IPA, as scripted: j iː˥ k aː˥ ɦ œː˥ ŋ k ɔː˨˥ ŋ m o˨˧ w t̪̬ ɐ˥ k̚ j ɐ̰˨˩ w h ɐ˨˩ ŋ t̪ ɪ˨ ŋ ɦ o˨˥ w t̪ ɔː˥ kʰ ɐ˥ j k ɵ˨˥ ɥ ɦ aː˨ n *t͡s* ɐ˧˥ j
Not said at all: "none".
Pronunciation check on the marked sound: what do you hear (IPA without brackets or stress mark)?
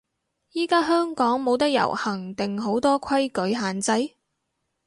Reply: t͡s